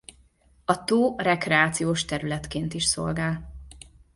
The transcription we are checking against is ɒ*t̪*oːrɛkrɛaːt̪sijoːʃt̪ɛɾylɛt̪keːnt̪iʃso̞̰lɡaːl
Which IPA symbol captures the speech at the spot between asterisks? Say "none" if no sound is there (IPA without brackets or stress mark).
t̪